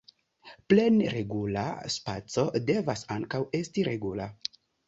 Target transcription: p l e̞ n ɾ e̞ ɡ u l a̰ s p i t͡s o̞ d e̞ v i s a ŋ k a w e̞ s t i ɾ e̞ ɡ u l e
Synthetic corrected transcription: p l e̞ n ɾ e̞ ɡ u l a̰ s p a t͡s o̞ d e̞ v a s a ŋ k a w e̞ s t i ɾ e̞ ɡ u l a

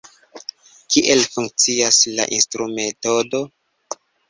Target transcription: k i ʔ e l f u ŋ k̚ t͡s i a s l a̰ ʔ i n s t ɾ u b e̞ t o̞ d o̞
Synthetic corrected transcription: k i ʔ e l f u ŋ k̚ t͡s i a s l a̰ ʔ i n s t ɾ u m e̞ t o̞ d o̞

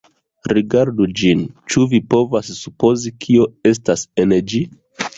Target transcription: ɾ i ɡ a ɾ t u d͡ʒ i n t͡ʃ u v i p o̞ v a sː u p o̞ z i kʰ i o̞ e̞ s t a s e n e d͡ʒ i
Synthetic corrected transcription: ɾ i ɡ a ɾ d u d͡ʒ i n t͡ʃ u v i p o̞ v a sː u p o̞ z i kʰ i o̞ e̞ s t a s e n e d͡ʒ i

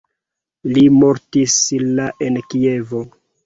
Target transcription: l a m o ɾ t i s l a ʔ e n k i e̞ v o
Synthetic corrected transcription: l i m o ɾ t i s l a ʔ e n k i e̞ v o

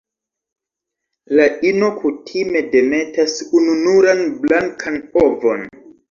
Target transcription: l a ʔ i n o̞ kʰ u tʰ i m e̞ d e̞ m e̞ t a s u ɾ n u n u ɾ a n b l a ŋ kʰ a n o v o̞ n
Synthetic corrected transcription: l a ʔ i n o̞ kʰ u tʰ i m e̞ d e̞ m e̞ t a s u n u n u ɾ a n b l a ŋ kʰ a n o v o̞ n

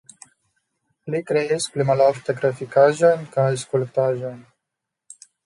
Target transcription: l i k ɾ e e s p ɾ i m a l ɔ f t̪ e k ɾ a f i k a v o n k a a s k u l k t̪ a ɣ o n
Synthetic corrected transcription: l i k ɾ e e s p l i m a l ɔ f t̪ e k ɾ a f i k a ʒ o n k a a s k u l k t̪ a ʒ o n

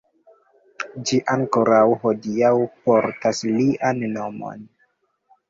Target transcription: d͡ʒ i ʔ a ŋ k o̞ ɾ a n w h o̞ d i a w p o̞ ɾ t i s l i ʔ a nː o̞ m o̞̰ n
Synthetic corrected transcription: d͡ʒ i ʔ a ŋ k o̞ ɾ a w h o̞ d i a w p o̞ ɾ t a s l i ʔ a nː o̞ m o̞̰ n

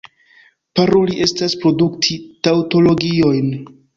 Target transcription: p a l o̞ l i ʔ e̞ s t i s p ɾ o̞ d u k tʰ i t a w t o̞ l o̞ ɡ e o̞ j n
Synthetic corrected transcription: p a ɾ o̞ l i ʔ e̞ s t a s p ɾ o̞ d u k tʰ i t a w t o̞ l o̞ ɡ i o̞ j n

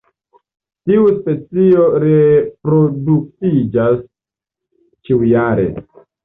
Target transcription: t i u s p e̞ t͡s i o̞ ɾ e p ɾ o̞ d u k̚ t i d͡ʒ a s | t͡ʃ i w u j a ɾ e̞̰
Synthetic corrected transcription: t i u s p e̞ t͡s i o̞ ɾ e p ɾ o̞ d u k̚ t i d͡ʒ a s | t͡ʃ i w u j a ɾ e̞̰

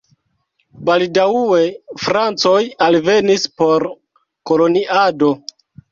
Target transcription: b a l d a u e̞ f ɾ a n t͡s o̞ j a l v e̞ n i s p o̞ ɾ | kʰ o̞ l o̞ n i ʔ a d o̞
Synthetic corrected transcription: b a l d a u e̞ f ɾ a n t͡s o̞ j a l v e̞ n i s p o̞ ɾ | k o̞ l o̞ n i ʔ a d o̞

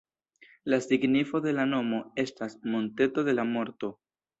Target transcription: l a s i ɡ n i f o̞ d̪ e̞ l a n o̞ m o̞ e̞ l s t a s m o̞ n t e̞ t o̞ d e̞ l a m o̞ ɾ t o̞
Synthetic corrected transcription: l a s i ɡ n i f o̞ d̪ e̞ l a n o̞ m o̞ e̞ s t a s m o̞ n t e̞ t o̞ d e̞ l a m o̞ ɾ t o̞

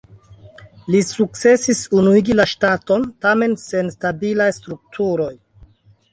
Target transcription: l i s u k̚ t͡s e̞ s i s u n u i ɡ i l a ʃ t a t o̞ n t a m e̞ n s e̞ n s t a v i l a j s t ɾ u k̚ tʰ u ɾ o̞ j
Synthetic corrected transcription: l i s u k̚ t͡s e̞ s i s u n u i ɡ i l a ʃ t a t o̞ n t a m e̞ n s e̞ n s t a b i l a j s t ɾ u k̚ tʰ u ɾ o̞ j

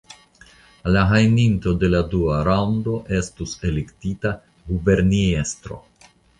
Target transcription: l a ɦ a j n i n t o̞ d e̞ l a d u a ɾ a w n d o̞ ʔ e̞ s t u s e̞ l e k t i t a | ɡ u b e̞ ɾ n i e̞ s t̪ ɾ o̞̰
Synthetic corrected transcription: l a ɦ a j n i n t o̞ d e̞ l a d u a ɾ a w n d o̞ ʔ e̞ s t u s e̞ l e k t i t a | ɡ u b e̞ ɾ n i e̞ s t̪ ɾ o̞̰

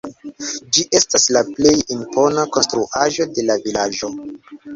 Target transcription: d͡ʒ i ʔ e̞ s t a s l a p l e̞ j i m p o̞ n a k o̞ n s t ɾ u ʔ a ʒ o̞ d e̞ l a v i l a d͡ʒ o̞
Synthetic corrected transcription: d͡ʒ i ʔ e̞ s t a s l a p l e̞ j i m p o̞ n a k o̞ n s t ɾ u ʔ a ʒ o̞ d e̞ l a v i l a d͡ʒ o̞

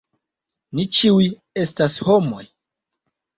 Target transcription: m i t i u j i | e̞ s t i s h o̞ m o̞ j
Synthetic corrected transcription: n i t͡ʃ i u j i | e̞ s t a s h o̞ m o̞ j

